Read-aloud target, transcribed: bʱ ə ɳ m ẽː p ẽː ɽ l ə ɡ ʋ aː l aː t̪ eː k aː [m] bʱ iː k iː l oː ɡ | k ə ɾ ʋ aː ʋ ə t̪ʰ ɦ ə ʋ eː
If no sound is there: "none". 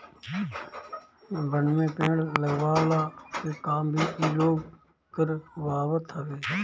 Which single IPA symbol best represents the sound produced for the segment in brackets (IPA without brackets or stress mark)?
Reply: m